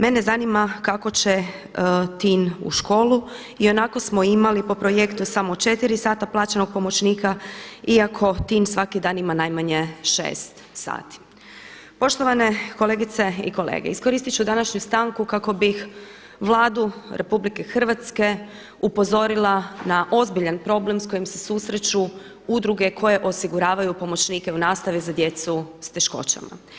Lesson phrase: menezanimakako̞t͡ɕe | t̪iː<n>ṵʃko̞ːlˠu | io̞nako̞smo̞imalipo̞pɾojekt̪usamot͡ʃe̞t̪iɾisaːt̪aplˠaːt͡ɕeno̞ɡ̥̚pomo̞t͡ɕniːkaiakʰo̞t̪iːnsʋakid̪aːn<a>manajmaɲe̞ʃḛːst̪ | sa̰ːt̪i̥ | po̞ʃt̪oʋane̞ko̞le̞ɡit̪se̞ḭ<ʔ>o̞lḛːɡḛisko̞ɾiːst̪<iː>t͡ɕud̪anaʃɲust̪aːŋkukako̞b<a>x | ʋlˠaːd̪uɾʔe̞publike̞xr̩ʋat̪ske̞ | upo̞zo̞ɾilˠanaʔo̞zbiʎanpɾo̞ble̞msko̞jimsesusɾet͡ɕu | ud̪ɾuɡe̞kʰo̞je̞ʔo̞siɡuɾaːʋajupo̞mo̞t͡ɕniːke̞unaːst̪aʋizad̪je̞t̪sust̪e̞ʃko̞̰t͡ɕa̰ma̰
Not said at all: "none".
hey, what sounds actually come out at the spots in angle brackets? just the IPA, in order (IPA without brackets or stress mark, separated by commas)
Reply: n, i, k, i, i